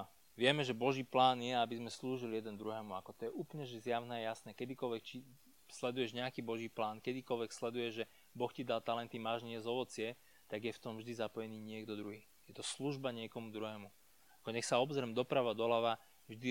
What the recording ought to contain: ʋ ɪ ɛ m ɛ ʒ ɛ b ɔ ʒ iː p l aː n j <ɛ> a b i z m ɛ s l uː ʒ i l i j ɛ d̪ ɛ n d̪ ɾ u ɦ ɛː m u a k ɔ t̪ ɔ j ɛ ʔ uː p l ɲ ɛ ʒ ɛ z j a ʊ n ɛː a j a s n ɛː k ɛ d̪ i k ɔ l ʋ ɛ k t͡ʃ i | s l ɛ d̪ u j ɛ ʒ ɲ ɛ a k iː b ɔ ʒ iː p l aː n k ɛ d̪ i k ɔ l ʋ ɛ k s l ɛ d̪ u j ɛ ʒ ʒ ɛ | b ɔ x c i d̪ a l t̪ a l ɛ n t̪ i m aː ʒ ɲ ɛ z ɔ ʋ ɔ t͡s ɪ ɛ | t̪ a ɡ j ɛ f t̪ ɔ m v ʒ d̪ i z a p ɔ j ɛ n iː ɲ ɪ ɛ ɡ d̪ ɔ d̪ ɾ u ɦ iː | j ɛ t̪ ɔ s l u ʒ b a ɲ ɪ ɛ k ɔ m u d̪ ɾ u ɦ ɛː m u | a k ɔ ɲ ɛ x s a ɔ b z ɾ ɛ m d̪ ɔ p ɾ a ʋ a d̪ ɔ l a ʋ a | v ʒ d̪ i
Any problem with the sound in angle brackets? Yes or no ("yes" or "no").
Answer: no